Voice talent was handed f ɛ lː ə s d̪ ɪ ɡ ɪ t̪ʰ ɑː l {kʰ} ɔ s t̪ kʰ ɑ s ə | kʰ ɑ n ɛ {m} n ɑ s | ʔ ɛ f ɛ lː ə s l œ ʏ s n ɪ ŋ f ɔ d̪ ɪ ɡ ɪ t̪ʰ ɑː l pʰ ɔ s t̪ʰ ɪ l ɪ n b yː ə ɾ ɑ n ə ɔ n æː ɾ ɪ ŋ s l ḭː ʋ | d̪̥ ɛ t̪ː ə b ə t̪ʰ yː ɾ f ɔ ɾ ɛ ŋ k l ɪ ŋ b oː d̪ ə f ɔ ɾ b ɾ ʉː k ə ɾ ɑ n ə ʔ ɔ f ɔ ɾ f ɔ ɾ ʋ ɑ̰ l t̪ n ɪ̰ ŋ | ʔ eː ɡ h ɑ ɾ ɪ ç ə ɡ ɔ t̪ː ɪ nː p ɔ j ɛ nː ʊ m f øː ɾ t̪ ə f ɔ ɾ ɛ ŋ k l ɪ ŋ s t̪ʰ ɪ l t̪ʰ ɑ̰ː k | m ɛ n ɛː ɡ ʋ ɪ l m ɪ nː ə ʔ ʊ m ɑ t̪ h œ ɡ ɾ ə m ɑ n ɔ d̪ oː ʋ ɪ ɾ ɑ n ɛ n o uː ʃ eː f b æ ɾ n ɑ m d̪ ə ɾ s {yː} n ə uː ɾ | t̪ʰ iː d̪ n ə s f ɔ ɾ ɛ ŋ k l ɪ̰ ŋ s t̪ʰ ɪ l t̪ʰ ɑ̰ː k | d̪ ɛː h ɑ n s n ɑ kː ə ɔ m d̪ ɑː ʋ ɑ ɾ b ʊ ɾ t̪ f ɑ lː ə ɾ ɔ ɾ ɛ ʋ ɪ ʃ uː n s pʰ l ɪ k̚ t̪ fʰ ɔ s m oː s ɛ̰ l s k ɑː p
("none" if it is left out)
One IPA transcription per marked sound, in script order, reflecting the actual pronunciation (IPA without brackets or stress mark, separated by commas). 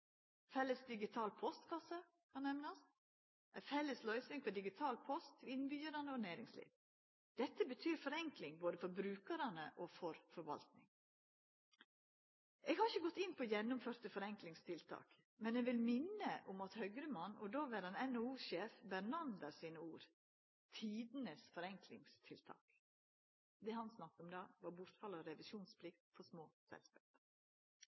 pʰ, m, iː